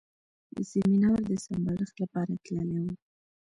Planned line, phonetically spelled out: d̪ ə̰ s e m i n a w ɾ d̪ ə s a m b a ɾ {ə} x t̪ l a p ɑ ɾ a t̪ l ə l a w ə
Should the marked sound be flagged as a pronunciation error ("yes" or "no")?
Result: no